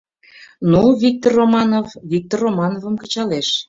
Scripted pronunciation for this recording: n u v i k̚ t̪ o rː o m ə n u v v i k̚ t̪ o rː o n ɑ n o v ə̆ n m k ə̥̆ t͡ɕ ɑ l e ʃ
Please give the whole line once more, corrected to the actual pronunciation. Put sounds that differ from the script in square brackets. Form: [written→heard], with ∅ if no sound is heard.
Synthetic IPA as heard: n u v i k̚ t̪ o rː o m [ə→ɑ] n [u→o] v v i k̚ t̪ o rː o [n→m] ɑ n o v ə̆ [n→∅] m k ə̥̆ t͡ɕ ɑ l e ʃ